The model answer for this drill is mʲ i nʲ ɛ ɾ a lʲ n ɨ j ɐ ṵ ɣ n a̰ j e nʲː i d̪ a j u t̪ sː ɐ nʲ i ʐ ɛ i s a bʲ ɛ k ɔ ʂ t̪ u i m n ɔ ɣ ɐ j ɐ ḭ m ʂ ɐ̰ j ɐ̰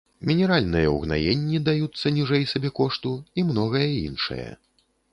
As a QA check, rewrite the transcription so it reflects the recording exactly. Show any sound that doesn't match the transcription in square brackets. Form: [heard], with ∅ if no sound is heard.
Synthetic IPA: mʲ i nʲ ɛ ɾ a lʲ n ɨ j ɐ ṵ ɣ n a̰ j e nʲː i d̪ a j u t̪ sː ɐ nʲ i ʐ ɛ [j] s a bʲ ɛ k ɔ ʂ t̪ u i m n ɔ ɣ ɐ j ɐ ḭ [n] ʂ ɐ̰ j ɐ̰